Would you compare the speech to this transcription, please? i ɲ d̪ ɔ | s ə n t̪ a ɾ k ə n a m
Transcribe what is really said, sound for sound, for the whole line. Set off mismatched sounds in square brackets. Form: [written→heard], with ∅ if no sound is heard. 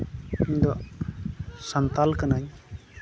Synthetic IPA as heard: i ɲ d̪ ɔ | s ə n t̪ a [ɾ→l] k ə n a [m→ɲ]